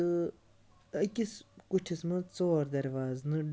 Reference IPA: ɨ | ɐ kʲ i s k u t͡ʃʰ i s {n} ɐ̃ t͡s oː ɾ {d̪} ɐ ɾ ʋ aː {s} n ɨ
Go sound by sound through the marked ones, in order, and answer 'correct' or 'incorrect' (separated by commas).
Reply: incorrect, correct, incorrect